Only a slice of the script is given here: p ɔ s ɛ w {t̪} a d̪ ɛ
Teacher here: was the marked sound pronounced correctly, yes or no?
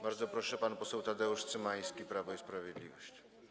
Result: yes